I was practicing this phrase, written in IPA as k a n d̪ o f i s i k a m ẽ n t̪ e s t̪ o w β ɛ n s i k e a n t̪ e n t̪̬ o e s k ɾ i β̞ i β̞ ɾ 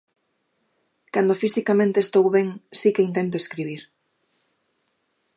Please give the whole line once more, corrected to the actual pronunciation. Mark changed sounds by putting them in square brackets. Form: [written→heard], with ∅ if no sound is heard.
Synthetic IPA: k a n d̪ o f i s i k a m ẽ n t̪ e s t̪ o w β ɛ [n→ŋ] s i k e [a→i] n t̪ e n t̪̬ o e s k ɾ i β̞ i [β̞→∅] ɾ